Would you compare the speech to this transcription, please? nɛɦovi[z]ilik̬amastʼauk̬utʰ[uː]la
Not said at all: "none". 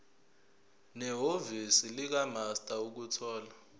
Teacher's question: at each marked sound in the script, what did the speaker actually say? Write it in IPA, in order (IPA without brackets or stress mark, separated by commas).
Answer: s, ɔː